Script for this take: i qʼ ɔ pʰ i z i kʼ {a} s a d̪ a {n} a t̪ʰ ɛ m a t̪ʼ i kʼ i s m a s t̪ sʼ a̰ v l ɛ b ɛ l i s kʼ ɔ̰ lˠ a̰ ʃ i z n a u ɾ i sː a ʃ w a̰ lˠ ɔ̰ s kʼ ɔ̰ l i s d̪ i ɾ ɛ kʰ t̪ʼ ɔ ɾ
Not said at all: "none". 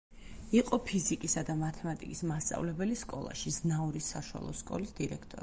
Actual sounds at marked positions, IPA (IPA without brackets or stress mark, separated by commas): i, m